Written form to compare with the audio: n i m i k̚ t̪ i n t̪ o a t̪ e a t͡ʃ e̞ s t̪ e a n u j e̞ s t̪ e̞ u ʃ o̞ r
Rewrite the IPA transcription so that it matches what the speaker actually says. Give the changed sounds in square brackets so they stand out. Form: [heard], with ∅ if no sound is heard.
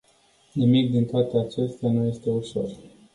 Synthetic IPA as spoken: n i m i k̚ [d̪] i n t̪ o a t̪ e a t͡ʃ e̞ s t̪ e a n u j e̞ s t̪ e̞ u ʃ o̞ r